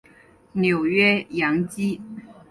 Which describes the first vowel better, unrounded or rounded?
rounded